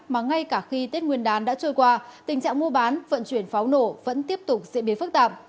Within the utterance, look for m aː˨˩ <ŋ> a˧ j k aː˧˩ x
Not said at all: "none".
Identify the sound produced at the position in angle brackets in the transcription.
ŋ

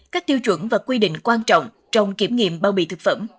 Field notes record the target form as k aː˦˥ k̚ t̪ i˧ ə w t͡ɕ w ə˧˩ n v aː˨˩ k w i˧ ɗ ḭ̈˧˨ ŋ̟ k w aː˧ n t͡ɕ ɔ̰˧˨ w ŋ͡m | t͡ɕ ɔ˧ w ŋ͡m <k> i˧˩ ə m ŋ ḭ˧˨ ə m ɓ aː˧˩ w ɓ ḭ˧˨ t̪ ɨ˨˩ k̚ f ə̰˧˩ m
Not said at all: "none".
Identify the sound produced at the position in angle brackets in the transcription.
k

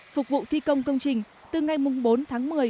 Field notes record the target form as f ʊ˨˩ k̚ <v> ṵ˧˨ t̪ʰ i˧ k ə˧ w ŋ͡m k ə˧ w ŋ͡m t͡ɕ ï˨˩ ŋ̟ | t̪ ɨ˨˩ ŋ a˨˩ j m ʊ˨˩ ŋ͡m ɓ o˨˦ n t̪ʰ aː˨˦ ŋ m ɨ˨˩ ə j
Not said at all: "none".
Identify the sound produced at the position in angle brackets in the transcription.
v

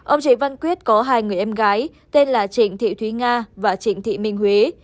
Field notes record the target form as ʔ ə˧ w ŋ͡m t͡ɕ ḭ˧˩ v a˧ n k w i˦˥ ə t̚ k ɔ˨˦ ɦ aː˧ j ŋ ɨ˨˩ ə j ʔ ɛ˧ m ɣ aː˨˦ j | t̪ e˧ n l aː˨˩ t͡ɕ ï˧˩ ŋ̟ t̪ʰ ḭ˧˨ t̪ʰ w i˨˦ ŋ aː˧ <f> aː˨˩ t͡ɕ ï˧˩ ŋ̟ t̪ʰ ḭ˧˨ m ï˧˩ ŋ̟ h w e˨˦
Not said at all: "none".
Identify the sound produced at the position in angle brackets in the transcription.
v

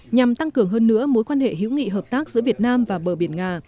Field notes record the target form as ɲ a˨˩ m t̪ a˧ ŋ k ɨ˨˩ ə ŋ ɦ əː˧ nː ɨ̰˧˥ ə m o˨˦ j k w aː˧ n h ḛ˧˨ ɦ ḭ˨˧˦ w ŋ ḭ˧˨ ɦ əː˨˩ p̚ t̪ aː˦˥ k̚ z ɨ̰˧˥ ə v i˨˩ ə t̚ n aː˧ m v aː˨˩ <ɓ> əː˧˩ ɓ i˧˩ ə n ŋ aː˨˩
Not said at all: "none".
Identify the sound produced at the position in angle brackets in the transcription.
ɓ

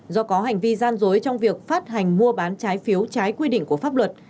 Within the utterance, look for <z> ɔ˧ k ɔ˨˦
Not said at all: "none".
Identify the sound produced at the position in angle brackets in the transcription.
z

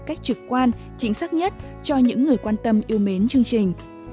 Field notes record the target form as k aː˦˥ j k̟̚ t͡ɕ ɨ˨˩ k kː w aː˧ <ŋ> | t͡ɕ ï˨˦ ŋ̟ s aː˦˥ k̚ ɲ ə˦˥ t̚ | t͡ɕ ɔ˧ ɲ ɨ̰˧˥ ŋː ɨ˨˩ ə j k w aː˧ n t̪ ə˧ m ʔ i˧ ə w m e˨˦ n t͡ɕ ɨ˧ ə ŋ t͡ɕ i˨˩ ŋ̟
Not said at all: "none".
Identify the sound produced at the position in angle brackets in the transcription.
n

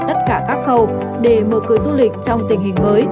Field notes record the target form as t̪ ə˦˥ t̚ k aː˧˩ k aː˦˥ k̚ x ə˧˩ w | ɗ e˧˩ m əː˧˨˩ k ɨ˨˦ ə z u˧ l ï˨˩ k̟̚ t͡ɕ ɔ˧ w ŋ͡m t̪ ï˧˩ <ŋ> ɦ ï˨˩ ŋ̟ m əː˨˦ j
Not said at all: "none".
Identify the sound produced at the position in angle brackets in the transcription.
ŋ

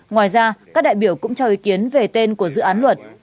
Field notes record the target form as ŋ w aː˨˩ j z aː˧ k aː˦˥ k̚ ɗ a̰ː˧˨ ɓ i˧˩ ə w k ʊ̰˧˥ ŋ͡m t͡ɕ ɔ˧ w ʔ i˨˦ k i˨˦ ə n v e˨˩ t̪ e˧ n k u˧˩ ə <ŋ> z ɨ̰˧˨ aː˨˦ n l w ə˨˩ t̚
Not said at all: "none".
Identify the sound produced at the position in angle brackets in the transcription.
none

